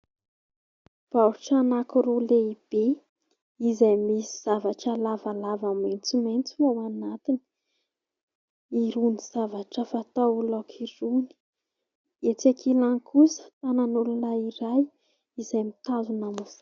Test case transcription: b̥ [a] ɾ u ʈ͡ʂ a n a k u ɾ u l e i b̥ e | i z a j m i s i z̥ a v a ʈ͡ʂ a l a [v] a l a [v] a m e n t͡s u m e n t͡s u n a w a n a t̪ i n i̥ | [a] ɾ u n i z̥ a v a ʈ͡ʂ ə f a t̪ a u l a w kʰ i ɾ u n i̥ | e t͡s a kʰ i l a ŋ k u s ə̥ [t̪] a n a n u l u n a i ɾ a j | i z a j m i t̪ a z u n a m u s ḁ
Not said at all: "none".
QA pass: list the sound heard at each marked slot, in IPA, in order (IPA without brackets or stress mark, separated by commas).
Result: a, v, v, i, t̪